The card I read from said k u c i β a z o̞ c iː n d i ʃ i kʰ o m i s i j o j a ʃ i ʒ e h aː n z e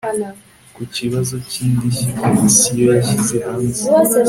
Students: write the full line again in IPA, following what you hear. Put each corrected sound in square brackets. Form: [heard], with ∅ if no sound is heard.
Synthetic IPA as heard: k u c i β a z o̞ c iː n d i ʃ i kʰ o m i s i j o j a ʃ i [z] e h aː n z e